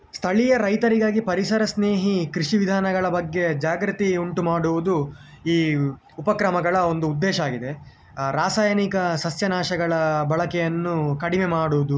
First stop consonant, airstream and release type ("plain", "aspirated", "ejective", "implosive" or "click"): aspirated